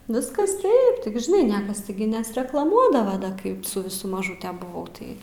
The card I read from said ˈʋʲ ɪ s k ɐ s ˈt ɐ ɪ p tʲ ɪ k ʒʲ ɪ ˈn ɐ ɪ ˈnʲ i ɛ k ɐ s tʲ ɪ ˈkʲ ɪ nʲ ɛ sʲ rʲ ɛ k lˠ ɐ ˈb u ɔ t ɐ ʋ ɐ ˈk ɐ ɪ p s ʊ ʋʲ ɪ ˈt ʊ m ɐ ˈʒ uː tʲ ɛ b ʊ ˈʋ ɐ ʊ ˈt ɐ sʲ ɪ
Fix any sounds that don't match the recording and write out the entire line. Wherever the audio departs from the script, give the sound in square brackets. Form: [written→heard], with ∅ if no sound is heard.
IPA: ˈʋʲ ɪ s k ɐ s ˈt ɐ ɪ p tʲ ɪ k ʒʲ ɪ ˈn ɐ ɪ ˈnʲ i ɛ k ɐ s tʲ ɪ [ˈkʲ→ˈɡʲ] ɪ nʲ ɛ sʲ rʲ ɛ k lˠ ɐ [ˈb→ˈm] u ɔ [t→d] ɐ ʋ ɐ ˈk ɐ ɪ p s ʊ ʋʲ ɪ [ˈt→ˈs] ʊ m ɐ ˈʒ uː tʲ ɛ b ʊ ˈʋ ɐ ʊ ˈt ɐ [sʲ→∅] ɪ